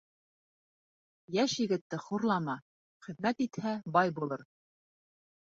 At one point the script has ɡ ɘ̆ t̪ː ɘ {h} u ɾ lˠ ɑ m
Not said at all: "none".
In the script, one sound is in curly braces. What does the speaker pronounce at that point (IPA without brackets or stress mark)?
χ